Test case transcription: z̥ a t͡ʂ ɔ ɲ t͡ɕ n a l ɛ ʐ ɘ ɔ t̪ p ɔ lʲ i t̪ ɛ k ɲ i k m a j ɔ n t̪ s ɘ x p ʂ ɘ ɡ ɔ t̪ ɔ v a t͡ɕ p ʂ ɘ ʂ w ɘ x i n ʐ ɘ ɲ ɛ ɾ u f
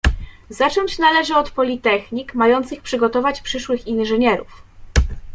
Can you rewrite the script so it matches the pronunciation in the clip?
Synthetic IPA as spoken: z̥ a t͡ʂ ɔ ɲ t͡ɕ n a l ɛ ʐ ɘ ɔ t̪ p ɔ lʲ i t̪ ɛ x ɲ i k m a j ɔ n t̪ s ɘ x p ʂ ɘ ɡ ɔ t̪ ɔ v a t͡ɕ p ʂ ɘ ʂ w ɘ x i n ʐ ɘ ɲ ɛ ɾ u f